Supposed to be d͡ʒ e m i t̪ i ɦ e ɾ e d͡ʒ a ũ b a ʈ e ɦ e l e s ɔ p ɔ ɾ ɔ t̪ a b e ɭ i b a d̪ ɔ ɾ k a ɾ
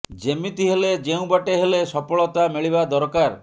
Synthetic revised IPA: d͡ʒ e m i t̪ i ɦ e l e d͡ʒ e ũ b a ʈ e ɦ e l e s ɔ p ɔ ɭ ɔ t̪ a m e ɭ i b a d̪ ɔ ɾ k a ɾ